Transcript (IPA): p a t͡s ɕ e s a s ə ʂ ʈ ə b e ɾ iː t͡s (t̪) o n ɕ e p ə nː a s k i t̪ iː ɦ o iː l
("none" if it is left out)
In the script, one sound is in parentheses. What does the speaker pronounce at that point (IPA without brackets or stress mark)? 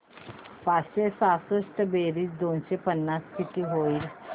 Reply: d̪